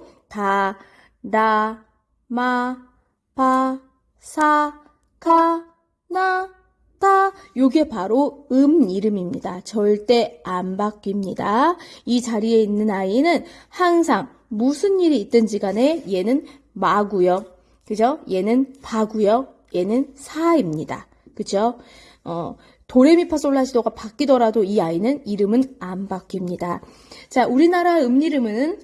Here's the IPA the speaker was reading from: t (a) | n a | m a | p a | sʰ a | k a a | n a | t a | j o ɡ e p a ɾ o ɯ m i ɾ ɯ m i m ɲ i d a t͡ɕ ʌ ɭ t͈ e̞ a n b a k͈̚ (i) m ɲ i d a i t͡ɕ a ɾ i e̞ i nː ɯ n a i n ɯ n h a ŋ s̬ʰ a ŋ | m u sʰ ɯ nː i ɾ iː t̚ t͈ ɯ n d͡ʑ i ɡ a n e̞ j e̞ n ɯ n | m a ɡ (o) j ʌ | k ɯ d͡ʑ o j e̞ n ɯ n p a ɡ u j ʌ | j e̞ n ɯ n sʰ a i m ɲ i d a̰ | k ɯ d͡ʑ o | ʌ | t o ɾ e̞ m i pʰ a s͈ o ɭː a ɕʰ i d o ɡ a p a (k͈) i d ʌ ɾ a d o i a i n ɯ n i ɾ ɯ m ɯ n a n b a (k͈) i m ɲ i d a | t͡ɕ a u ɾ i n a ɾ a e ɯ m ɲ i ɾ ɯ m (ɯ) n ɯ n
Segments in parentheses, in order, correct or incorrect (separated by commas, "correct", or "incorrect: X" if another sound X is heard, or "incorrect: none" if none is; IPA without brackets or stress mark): correct, correct, incorrect: u, correct, correct, correct